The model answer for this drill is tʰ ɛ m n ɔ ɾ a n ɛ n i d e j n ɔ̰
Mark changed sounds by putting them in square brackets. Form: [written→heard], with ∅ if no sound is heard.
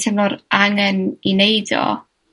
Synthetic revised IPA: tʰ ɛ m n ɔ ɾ a [n→ŋ] ɛ n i [d→n] e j [n→d] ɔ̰

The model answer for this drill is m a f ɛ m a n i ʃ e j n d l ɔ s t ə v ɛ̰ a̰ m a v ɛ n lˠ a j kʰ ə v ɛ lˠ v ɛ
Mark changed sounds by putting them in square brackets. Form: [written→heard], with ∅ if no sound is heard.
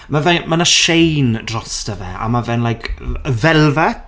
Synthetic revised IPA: m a [f→v] ɛ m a n [i→a] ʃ e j n d [l→r] ɔ s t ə v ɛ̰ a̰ m a v ɛ n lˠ a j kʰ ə v ɛ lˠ v ɛ

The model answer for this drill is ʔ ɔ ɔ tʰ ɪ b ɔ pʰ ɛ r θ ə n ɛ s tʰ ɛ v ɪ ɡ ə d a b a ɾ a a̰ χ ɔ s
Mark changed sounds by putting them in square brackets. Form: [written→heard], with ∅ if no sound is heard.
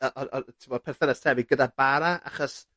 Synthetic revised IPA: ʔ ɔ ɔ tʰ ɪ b ɔ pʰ ɛ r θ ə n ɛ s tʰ ɛ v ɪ ɡ ə d a b a ɾ a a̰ χ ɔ s

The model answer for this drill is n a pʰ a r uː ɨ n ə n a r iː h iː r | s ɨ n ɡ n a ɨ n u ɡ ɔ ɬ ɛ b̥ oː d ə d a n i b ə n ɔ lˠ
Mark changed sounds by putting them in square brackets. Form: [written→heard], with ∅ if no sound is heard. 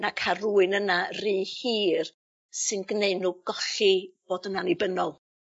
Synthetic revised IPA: n a [pʰ→kʰ] a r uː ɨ n ə n a r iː h iː r | s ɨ n ɡ n [a→e] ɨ n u ɡ ɔ ɬ [ɛ→i] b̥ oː d ə [d→n] a n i b ə n ɔ lˠ

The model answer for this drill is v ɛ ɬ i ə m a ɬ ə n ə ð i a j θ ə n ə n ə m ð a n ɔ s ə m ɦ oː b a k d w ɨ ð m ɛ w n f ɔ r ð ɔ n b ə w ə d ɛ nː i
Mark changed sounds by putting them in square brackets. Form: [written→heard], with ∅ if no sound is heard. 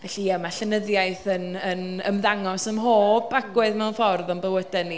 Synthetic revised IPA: v ɛ ɬ i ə m a ɬ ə n ə ð [i→j] a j θ ə n ə n ə m ð a [n→ŋ] ɔ s ə m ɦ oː b a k [d→ɡ] w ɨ ð m ɛ w n f ɔ r ð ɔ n b ə w ə d ɛ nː i

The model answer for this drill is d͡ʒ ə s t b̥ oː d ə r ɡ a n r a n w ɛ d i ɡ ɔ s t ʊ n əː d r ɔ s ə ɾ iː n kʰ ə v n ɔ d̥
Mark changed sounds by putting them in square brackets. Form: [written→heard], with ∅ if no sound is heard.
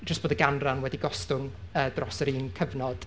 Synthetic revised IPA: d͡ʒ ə s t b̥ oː d ə [r→∅] ɡ a n r a n w ɛ d i ɡ ɔ s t ʊ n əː d r ɔ s ə ɾ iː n kʰ ə v n ɔ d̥

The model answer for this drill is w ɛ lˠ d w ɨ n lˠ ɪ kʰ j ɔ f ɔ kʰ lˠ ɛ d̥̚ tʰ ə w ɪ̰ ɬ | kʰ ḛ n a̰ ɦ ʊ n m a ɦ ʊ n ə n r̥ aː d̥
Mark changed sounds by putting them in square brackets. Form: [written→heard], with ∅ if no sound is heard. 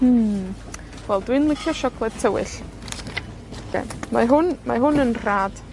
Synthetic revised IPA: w ɛ lˠ d w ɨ n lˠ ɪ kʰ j ɔ [f→ʃ] ɔ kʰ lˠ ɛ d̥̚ tʰ ə w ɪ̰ ɬ | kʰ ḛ [n→m] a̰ ɦ ʊ n m a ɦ ʊ n ə n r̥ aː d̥

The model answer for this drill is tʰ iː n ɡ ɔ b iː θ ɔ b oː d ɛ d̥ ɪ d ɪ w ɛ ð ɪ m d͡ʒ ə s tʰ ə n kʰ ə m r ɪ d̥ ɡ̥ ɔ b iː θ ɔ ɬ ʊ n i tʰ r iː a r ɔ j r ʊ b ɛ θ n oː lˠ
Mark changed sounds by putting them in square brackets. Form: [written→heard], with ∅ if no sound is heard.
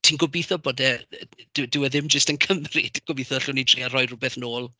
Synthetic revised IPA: tʰ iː n ɡ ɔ b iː θ ɔ b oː d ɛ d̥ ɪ d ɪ w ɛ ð ɪ m d͡ʒ ə s [tʰ→t] ə n kʰ ə m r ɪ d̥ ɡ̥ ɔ b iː θ ɔ ɬ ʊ n i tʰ r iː a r ɔ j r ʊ b ɛ θ n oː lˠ

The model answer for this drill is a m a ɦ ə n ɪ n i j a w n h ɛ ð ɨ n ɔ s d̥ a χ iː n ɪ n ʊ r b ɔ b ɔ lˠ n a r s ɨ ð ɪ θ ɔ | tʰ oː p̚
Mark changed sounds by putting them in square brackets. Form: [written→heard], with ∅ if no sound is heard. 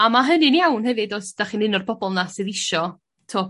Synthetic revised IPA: a m a ɦ ə n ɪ n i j a w n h ɛ [ð→v] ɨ [n→d] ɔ s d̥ a χ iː n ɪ n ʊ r b ɔ b ɔ lˠ n a [r→∅] s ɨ ð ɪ [θ→ʃ] ɔ | tʰ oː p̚

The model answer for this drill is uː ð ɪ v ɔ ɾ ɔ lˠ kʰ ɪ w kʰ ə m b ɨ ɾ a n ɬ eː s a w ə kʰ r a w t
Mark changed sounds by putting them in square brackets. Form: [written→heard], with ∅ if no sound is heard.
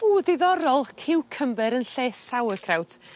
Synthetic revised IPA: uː ð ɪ [v→ð] ɔ ɾ ɔ lˠ kʰ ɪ w kʰ ə m b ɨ ɾ [a→ə] n ɬ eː s a w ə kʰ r a w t

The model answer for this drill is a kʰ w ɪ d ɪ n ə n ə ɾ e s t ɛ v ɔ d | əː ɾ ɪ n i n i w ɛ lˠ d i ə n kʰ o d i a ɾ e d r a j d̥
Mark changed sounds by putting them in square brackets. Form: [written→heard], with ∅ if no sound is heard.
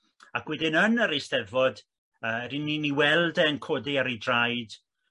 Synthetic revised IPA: a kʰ w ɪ d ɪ n ə n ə ɾ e s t ɛ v ɔ d | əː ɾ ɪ n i n i w ɛ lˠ d [i→ɛ] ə n kʰ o d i a ɾ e d r a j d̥

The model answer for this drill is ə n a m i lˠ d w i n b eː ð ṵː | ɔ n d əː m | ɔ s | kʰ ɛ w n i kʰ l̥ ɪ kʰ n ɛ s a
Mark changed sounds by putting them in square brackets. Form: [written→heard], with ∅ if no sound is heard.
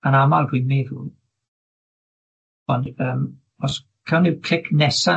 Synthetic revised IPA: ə n a m [i→a] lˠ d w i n [b→m] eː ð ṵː | ɔ n d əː m | ɔ s | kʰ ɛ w n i kʰ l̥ ɪ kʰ n ɛ s a

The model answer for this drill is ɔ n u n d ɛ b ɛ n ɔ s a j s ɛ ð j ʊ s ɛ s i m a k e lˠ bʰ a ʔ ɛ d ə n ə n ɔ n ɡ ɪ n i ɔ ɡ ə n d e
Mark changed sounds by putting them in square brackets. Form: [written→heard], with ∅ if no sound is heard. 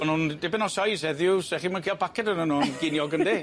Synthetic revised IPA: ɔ n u n d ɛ b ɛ n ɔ s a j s ɛ ð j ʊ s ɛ [s→χ] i m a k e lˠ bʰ a [ʔ→k] ɛ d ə n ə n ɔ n ɡ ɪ n [i→j] ɔ ɡ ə n d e

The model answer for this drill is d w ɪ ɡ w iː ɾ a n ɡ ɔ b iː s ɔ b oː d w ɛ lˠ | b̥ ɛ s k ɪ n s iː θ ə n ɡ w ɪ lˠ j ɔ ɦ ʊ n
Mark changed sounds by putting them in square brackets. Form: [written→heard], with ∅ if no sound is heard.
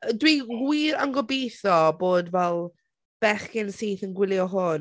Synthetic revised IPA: d w [ɪ→i] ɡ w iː ɾ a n ɡ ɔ b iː [s→θ] ɔ b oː d [w→v] ɛ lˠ | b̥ ɛ [s→χ] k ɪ n s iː θ ə n ɡ w ɪ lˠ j ɔ ɦ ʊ n

